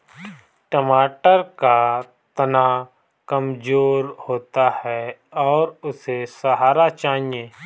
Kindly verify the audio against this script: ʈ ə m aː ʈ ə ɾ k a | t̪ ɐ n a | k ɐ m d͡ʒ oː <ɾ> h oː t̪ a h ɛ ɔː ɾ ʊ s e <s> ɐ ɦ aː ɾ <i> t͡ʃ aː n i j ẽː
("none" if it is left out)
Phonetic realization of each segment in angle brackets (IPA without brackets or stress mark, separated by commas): ɾ, s, a